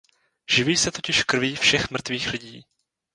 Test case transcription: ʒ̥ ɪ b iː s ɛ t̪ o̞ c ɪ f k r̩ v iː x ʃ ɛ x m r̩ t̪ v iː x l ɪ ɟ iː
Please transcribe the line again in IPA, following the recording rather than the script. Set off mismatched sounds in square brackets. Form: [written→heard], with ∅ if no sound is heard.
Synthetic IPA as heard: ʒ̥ ɪ [b→v] iː s ɛ t̪ o̞ c ɪ [f→ʃ] k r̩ v iː [x→f] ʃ ɛ x m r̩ t̪ v iː x l ɪ ɟ iː